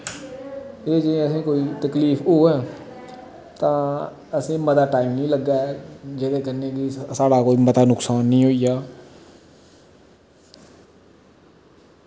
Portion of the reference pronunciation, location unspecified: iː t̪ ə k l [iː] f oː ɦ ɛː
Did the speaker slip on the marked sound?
no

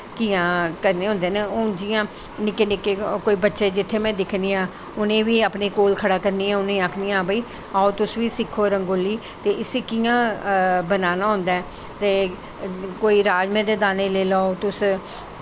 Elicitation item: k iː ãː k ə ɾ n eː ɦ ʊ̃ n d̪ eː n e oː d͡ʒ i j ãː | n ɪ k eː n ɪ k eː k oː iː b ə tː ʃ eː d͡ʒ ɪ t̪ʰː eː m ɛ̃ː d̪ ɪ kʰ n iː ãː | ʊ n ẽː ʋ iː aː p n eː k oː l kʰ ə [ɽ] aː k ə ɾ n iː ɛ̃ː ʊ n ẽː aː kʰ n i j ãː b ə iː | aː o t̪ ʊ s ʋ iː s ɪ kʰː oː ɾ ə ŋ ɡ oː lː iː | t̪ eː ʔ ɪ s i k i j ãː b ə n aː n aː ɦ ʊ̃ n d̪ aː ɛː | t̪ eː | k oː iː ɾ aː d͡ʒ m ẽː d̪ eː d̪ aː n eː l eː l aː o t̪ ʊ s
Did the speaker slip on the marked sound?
no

